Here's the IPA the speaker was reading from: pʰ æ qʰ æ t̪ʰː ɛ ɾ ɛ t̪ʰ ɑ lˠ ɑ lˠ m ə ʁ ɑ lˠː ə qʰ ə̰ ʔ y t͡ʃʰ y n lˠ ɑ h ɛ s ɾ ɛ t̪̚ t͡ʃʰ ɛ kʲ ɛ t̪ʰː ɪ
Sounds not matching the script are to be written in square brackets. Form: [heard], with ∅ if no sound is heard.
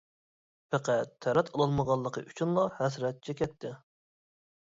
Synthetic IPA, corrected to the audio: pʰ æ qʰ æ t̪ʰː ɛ ɾ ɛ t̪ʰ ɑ lˠ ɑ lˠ m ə ʁ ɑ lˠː ə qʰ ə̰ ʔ y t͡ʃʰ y n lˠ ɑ h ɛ s ɾ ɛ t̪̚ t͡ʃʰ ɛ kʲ ɛ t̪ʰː ɪ

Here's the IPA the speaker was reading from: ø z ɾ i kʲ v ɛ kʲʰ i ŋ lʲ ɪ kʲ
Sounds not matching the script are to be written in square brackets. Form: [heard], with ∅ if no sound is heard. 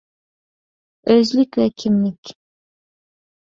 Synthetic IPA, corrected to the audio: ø z [l] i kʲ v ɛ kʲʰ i [m] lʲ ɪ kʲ

